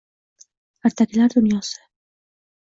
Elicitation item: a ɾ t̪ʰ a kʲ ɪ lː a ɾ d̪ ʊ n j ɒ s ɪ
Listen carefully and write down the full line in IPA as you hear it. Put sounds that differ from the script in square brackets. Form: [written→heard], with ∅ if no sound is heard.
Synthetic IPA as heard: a ɾ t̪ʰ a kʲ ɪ [lː→l] a ɾ d̪ ʊ n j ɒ s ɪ